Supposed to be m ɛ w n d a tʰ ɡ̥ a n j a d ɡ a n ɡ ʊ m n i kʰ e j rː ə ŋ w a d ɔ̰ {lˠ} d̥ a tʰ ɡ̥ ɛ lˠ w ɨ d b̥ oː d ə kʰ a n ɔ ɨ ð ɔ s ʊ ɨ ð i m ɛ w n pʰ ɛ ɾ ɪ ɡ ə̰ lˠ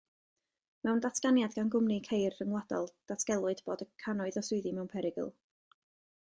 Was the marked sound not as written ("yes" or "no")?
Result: no